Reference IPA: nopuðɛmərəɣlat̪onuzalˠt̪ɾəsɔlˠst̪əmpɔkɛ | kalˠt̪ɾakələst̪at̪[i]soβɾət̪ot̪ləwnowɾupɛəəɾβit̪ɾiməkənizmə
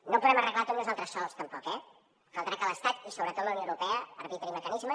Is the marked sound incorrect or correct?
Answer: correct